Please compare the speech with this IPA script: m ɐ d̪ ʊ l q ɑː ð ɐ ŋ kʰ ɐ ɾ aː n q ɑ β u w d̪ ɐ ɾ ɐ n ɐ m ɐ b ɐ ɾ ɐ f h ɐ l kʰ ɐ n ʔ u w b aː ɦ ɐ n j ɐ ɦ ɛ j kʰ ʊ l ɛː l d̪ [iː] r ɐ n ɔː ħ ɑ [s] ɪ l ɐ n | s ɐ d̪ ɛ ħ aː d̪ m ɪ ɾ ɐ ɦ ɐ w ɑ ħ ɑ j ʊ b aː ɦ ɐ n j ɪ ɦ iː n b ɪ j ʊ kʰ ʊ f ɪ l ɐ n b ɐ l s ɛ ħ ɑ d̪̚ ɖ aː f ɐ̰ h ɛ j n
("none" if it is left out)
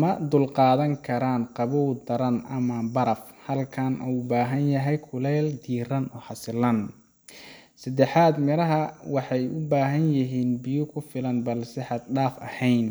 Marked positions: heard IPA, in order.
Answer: iː, s

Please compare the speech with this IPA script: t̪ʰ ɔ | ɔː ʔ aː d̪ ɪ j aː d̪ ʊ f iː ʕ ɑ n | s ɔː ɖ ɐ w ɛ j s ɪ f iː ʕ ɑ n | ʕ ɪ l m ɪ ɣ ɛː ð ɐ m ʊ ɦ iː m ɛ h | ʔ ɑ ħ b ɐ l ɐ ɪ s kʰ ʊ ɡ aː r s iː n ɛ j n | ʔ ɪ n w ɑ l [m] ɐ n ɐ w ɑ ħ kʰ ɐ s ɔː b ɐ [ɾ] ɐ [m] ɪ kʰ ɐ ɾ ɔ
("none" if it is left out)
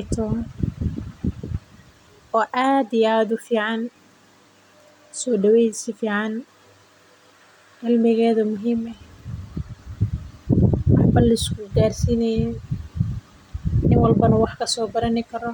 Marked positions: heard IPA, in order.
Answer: b, ɾ, n

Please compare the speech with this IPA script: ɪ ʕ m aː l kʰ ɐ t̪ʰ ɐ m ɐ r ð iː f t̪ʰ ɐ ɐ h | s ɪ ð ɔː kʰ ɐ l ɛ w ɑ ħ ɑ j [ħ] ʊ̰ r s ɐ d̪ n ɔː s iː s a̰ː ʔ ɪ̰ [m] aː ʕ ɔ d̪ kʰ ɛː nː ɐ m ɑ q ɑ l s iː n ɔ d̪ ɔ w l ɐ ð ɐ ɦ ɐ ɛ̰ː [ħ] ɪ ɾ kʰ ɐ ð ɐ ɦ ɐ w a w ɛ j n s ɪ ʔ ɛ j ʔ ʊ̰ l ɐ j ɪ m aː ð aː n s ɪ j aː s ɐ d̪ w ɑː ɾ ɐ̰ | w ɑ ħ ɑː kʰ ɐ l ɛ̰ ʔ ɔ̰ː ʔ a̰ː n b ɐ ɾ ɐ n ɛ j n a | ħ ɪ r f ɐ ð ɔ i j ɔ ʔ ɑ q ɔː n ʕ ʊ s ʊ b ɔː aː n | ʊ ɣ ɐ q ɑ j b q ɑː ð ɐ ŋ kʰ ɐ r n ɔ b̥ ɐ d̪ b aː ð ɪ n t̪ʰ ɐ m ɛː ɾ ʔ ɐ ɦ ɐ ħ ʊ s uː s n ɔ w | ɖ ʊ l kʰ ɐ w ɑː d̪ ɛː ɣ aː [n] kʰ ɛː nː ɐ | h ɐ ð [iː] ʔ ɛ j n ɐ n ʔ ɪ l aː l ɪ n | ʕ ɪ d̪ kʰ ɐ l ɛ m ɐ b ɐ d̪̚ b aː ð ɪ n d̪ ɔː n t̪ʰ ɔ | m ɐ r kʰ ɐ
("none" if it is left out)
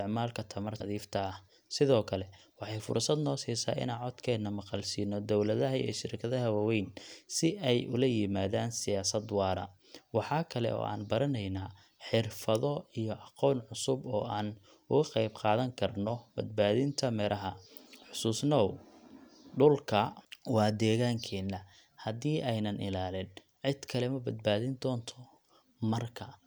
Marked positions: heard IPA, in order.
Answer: f, n, ʃ, ŋ, iː

